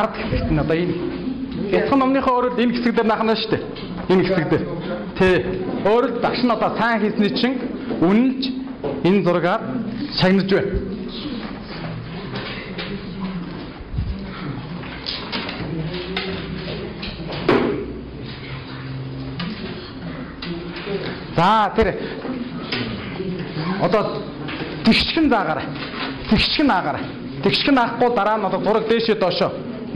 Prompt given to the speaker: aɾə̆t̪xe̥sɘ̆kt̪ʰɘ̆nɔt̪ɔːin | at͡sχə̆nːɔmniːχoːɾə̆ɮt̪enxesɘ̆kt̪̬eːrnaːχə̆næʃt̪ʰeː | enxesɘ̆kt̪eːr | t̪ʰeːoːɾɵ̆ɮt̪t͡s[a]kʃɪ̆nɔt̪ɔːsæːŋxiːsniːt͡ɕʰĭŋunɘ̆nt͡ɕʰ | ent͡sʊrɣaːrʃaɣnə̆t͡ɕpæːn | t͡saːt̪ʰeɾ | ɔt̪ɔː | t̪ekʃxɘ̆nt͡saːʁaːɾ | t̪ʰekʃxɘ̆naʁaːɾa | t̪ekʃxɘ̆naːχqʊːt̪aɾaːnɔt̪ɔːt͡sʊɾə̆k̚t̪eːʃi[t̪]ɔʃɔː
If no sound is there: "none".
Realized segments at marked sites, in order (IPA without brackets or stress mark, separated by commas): a, t̪